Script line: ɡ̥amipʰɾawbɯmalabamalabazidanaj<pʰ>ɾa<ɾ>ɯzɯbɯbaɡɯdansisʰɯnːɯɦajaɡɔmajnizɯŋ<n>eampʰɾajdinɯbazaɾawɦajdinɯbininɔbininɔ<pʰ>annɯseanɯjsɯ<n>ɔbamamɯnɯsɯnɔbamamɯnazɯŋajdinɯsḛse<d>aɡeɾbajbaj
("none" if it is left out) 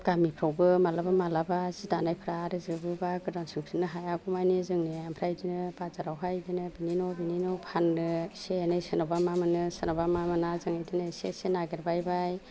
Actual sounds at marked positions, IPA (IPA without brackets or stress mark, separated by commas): pʰ, ɾ, n, pʰ, n, n